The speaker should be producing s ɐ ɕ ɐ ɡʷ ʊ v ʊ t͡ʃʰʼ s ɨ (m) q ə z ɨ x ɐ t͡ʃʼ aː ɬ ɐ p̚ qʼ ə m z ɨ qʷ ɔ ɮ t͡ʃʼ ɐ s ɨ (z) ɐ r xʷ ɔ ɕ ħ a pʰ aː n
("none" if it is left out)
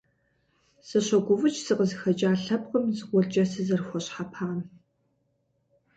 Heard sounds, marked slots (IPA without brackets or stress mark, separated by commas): none, z